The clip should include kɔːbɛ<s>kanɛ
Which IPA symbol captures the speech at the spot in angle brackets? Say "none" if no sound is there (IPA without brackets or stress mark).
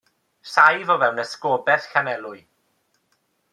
θ